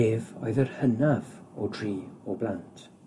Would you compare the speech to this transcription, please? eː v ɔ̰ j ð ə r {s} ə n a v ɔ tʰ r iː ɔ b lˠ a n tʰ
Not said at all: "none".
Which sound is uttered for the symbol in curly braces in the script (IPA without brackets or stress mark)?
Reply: h